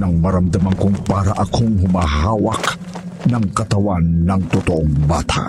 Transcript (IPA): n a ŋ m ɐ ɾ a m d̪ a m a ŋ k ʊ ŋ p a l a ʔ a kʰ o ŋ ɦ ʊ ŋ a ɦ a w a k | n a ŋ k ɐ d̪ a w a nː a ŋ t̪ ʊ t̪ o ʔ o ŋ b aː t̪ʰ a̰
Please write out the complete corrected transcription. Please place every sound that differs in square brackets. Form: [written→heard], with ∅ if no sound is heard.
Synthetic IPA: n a ŋ m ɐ ɾ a m d̪ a m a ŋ k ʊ ŋ p a [l→ɾ] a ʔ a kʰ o ŋ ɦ ʊ [ŋ→m] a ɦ a w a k | n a ŋ k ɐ [d̪→t̪] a w a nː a ŋ t̪ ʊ t̪ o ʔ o ŋ b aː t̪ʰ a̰